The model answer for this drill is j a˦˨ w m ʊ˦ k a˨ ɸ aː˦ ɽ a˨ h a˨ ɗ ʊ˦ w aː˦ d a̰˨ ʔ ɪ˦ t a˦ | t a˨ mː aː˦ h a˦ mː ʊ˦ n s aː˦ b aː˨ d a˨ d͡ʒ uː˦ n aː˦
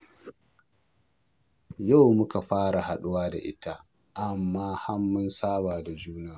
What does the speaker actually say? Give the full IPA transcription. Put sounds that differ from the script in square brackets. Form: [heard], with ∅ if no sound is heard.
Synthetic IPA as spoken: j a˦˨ w m ʊ˦ k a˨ ɸ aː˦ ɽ a˨ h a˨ ɗ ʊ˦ w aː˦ d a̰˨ ʔ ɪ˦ t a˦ | [ʔ] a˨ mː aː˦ h a˦ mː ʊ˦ n s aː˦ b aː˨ d a˨ d͡ʒ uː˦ n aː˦